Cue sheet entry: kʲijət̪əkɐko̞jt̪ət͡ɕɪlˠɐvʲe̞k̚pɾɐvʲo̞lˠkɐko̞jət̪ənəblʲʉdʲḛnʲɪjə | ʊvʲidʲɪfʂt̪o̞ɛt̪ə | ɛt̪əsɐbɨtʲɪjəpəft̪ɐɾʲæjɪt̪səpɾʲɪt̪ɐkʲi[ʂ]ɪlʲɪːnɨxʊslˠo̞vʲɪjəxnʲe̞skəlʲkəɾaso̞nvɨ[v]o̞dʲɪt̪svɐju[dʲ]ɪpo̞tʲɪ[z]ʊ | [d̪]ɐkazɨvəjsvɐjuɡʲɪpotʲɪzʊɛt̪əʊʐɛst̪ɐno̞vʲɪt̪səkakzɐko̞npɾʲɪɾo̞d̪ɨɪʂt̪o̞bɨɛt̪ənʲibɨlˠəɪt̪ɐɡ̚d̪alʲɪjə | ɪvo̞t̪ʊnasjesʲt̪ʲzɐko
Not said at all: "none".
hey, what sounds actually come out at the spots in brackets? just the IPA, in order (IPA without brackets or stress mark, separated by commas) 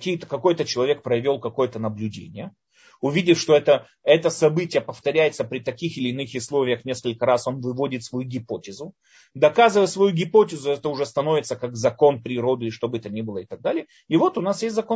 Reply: x, v, ɡʲ, z, d̪